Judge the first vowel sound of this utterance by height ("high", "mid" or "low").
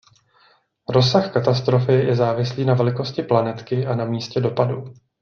mid